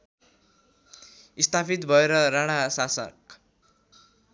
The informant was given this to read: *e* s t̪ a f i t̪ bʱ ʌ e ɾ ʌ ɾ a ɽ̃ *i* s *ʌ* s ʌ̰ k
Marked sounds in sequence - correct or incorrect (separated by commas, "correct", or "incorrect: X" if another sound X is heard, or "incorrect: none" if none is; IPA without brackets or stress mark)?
incorrect: i, incorrect: a, incorrect: a